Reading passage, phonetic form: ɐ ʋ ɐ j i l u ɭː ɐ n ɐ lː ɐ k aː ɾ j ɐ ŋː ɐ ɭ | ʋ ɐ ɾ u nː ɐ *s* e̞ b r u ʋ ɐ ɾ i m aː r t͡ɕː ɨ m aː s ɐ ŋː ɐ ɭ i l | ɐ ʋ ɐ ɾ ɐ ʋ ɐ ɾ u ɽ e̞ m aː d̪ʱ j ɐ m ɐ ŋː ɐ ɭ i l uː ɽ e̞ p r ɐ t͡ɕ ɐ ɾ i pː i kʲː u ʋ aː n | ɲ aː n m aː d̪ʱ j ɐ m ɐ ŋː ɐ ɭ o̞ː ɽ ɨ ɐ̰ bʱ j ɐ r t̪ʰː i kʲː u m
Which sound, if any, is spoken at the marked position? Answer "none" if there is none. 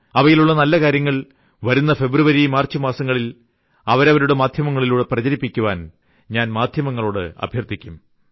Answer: f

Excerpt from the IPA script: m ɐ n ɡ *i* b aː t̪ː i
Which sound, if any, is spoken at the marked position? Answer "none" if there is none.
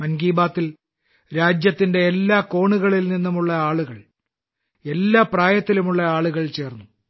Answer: iː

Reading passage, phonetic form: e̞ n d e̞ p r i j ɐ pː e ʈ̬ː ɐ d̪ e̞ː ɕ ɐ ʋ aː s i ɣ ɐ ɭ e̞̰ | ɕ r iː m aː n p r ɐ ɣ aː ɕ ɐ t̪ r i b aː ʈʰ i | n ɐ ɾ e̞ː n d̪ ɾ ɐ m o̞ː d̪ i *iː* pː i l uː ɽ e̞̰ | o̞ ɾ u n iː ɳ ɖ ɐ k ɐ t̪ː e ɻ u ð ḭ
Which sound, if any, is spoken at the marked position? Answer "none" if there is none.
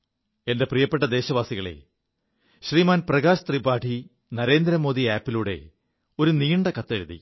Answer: aː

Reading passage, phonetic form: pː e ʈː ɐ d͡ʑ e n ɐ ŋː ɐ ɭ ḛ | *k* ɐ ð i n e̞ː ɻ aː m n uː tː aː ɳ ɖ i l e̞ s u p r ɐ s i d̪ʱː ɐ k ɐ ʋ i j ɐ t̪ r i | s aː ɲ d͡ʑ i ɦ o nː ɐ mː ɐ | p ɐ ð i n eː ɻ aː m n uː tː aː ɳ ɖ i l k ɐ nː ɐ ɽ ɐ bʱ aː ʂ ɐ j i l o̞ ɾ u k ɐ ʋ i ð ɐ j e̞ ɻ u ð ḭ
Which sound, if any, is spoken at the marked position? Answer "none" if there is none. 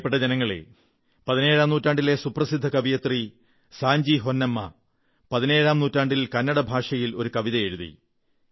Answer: p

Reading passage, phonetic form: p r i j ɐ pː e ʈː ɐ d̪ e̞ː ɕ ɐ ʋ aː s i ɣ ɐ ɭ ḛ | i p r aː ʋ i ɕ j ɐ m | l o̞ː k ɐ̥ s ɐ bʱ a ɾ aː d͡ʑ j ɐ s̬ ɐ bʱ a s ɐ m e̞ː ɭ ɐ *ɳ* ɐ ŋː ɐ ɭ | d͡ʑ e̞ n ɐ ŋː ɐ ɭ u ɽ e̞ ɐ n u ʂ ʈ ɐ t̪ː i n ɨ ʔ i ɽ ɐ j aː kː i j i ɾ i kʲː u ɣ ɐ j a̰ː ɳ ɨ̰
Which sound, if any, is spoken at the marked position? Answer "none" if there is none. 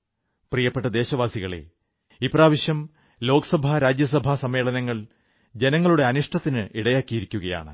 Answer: n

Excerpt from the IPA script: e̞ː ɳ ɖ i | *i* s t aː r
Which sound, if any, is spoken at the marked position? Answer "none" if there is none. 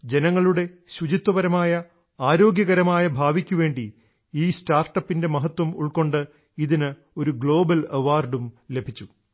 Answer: iː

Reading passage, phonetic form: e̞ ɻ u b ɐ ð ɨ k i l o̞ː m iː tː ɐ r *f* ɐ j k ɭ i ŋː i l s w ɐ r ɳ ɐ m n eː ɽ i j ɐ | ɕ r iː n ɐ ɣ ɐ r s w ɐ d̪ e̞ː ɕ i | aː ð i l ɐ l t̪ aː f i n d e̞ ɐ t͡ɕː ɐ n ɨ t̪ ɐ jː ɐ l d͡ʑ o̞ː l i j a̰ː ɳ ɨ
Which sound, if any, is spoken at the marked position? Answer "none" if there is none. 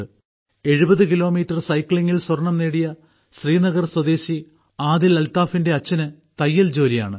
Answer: s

